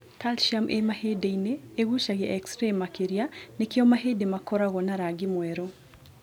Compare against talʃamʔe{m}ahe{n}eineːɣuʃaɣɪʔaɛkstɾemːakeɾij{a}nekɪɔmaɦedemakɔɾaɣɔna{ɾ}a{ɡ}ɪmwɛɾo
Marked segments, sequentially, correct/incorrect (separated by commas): correct, incorrect, correct, correct, correct